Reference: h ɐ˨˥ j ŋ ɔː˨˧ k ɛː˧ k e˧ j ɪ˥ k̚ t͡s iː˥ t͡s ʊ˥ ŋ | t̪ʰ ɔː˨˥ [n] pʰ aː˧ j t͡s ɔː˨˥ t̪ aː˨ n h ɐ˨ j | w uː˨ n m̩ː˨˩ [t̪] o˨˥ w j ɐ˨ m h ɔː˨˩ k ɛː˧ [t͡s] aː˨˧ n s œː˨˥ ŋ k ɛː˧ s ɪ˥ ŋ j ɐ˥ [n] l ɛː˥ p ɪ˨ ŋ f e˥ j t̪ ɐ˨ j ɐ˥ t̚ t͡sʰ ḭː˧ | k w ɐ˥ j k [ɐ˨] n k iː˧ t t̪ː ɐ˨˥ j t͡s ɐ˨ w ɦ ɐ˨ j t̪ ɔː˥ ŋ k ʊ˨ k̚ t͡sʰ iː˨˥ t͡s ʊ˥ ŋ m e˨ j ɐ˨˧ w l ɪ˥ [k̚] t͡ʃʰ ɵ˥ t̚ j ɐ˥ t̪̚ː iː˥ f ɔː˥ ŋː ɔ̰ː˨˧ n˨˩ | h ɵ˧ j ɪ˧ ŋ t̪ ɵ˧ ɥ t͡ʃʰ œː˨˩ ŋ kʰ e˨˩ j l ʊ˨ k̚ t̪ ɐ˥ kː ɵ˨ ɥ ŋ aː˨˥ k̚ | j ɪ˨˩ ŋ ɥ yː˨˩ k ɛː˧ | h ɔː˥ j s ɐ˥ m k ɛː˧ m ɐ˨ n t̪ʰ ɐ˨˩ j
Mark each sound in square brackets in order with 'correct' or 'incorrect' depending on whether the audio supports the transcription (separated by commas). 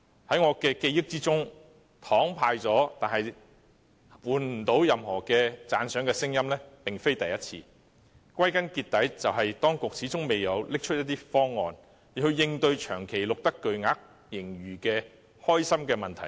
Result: incorrect, correct, correct, incorrect, incorrect, correct